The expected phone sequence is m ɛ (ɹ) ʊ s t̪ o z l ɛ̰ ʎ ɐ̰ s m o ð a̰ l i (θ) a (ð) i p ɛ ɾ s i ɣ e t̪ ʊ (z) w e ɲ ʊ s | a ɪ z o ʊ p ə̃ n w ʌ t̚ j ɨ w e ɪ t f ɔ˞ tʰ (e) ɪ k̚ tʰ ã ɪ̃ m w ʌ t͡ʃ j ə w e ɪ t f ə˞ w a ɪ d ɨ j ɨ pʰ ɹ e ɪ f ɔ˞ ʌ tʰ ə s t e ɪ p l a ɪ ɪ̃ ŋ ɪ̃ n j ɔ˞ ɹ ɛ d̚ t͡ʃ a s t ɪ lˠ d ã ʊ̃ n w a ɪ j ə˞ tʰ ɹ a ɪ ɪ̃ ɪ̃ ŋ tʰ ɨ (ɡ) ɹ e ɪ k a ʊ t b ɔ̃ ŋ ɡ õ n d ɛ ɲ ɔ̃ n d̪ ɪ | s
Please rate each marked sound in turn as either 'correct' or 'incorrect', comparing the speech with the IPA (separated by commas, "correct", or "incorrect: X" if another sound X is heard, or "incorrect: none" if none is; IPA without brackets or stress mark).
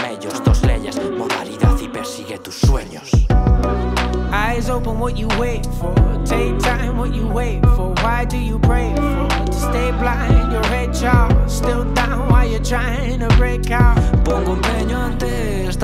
incorrect: ʎ, incorrect: ð, correct, incorrect: s, correct, incorrect: b